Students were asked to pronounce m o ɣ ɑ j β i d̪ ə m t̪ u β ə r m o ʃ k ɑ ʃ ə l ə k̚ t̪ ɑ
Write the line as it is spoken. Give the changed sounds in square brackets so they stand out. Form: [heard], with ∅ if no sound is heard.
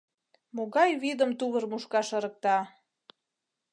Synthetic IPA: m o ɣ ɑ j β i d̪ ə m t̪ u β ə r m [u] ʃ k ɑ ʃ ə [ɾ] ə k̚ t̪ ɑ